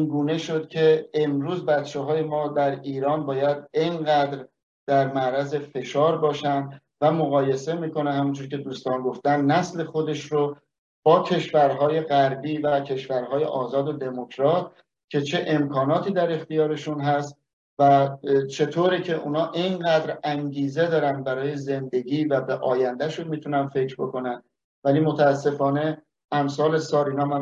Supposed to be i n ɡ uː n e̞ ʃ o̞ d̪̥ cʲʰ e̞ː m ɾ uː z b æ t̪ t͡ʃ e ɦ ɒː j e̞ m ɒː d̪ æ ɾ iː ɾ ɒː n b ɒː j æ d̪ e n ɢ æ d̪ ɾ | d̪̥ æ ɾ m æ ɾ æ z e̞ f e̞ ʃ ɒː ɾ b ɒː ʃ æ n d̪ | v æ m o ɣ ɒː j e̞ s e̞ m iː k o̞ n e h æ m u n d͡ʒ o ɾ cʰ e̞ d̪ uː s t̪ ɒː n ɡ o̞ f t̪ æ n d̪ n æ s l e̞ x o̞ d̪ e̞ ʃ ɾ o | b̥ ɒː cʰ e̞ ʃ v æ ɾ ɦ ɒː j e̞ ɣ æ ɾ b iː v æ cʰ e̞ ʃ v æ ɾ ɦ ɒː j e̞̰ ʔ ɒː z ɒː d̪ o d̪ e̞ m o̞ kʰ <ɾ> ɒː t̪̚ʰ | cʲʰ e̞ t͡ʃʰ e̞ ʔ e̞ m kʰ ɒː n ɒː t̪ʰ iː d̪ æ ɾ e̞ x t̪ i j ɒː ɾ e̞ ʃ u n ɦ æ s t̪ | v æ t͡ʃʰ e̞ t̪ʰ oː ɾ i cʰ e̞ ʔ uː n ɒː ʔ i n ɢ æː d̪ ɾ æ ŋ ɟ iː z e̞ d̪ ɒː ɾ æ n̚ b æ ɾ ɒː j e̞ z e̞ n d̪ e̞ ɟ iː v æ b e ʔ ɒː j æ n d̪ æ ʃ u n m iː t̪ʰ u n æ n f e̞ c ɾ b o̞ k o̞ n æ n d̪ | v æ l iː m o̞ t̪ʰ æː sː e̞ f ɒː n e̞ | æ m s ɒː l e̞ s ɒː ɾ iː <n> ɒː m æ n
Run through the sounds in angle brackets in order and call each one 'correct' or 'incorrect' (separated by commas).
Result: correct, correct